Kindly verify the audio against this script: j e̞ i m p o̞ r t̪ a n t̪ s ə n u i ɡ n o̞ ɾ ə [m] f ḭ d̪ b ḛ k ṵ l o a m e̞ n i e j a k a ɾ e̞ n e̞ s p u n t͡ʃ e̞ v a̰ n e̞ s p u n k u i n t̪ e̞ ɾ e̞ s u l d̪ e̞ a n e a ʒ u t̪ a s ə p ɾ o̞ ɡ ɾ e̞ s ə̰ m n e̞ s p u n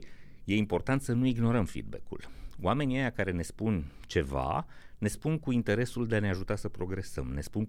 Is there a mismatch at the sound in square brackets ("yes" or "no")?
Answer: no